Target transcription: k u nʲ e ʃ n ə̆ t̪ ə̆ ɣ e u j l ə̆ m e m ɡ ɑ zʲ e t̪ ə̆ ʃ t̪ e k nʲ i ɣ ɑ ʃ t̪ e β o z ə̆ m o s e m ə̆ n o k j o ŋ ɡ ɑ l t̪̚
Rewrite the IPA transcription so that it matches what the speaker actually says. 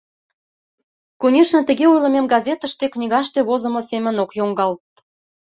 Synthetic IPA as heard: k u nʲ e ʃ n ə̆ t̪ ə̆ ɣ e u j l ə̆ m e m ɡ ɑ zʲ e t̪ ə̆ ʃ t̪ e k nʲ i ɣ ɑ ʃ t̪ e β o z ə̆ m o s e m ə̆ n o k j o ŋ ɡ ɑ l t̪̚